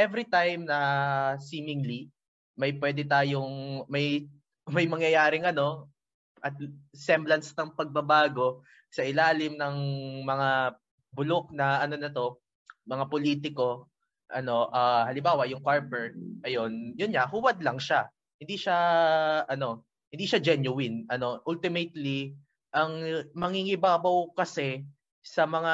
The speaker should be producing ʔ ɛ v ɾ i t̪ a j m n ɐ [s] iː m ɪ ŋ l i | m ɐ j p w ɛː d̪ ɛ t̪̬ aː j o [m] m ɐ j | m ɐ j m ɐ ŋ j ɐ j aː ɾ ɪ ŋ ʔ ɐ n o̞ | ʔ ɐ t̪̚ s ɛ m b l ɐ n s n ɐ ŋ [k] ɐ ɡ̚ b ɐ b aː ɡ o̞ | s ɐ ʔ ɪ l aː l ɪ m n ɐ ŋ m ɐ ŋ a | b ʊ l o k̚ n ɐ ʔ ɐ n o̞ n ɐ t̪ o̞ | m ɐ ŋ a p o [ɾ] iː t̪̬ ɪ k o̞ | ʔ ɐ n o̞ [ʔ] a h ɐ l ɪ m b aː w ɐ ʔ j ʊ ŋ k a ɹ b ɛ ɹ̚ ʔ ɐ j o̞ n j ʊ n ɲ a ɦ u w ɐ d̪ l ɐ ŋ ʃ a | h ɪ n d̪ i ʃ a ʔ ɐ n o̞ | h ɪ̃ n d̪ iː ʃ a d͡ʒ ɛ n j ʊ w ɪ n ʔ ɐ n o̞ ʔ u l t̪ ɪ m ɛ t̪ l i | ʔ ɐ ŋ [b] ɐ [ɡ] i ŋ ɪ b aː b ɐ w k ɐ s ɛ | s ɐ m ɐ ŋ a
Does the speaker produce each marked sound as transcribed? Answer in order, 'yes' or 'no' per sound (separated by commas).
yes, no, no, no, yes, no, no